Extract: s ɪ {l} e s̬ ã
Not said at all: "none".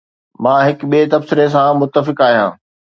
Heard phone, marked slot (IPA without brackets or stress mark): ɾ